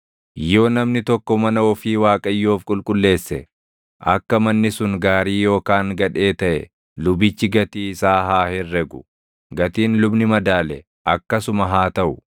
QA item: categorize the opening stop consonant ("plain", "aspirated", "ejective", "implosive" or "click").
plain